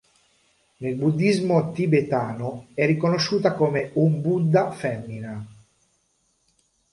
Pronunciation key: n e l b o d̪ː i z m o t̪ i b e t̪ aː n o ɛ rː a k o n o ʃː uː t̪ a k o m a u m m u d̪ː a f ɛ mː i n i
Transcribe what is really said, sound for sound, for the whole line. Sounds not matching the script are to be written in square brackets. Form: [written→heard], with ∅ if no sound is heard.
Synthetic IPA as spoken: n e l b [o→u] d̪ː i z m o t̪ i b e t̪ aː n o ɛ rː [a→i] k o n o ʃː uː t̪ a k o m [a→e] u m [m→b] u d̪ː a f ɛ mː i n [i→a]